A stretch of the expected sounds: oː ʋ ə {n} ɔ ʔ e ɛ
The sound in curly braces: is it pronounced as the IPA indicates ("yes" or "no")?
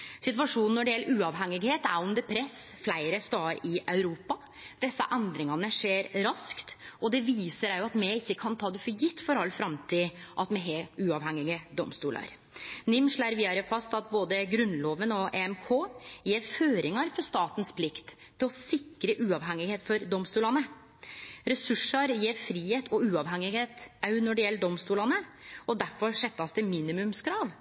yes